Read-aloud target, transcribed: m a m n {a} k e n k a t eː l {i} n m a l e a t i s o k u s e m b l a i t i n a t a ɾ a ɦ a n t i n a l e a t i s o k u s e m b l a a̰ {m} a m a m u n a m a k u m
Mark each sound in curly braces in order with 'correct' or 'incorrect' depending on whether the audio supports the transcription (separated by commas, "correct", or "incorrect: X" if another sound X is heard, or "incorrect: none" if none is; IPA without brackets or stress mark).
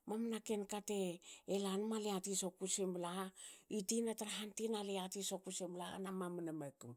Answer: correct, incorrect: a, incorrect: n